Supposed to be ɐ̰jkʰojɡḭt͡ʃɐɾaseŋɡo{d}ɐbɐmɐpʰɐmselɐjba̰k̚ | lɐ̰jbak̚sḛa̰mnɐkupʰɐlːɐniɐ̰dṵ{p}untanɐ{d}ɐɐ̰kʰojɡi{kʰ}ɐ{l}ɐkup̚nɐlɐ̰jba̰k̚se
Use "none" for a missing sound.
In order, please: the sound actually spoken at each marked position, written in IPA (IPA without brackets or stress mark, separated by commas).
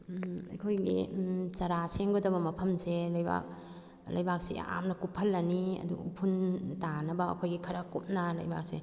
d, pʰ, b, kʰ, ɾ